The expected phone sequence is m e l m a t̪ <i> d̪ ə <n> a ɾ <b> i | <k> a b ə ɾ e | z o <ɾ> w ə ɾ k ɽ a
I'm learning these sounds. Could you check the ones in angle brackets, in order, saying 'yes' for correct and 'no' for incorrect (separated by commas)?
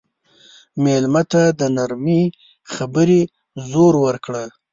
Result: no, yes, no, no, yes